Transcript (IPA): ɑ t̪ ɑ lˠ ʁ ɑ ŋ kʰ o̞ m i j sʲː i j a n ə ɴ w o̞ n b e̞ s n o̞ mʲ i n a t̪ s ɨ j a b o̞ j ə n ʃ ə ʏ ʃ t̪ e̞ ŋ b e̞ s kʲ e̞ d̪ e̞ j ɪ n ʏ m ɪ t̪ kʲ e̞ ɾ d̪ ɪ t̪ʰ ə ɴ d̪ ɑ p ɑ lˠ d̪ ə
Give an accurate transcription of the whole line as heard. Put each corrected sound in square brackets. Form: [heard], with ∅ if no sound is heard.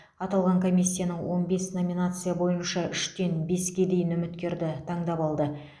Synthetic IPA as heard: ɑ t̪ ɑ lˠ ʁ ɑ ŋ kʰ o̞ m i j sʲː i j a n ə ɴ w o̞ n b e̞ s n o̞ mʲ i n a t̪ s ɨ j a b o̞ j ə n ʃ [ɑ] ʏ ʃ t̪ e̞ [n] b e̞ s kʲ e̞ d̪ e̞ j ɪ n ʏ m ɪ t̪ kʲ e̞ ɾ d̪ ɪ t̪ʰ [ɑ] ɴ d̪ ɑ p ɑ lˠ d̪ ə